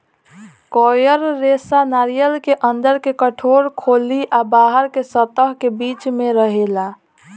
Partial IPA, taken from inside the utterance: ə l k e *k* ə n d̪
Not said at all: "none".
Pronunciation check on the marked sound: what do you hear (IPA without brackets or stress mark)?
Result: ʔ